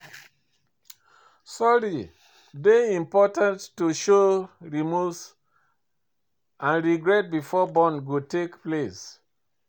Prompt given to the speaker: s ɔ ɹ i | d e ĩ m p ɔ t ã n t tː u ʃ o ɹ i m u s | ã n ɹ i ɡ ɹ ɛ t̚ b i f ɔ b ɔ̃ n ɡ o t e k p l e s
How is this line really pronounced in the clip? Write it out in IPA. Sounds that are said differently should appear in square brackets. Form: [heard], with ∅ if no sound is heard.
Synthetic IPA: s ɔ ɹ i | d e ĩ m p ɔ t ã n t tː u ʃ o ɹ i m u s | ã n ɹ i ɡ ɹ ɛ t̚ b i f ɔ b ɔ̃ n ɡ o t e k p l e s